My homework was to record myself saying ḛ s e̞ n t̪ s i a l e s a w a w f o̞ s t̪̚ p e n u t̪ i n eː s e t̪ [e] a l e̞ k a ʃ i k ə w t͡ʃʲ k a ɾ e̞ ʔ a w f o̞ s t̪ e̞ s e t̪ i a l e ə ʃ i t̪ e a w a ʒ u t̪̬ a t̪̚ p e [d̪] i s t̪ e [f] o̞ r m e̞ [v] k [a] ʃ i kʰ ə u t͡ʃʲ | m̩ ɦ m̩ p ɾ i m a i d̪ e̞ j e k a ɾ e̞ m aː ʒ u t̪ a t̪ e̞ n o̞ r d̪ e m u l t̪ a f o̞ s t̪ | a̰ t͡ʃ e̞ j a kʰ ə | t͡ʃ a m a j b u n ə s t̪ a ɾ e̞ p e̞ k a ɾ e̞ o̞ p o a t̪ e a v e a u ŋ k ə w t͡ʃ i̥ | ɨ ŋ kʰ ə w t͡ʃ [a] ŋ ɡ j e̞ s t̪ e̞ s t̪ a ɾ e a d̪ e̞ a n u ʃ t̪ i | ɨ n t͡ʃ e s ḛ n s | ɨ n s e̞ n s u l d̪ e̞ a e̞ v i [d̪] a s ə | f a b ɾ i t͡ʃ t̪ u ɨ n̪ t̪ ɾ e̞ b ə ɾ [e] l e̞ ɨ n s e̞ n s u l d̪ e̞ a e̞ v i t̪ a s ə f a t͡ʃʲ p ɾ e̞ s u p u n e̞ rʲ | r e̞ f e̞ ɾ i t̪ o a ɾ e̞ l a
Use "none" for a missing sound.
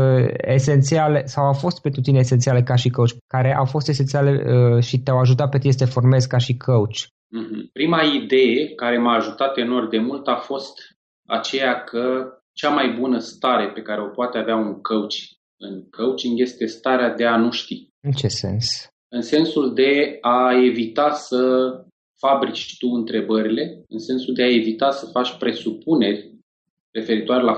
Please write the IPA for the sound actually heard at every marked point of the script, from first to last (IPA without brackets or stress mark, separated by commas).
i, t̪, f, z, a, i, t̪, i